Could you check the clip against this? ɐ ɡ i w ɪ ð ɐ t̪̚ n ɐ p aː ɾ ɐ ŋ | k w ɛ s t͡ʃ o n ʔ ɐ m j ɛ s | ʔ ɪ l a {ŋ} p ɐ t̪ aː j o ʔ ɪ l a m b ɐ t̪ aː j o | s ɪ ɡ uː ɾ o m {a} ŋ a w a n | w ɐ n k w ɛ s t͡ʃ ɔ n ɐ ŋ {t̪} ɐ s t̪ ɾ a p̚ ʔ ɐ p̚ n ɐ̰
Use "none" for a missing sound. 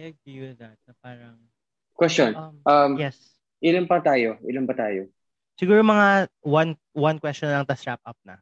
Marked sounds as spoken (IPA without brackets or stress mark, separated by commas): m, ɐ, t̪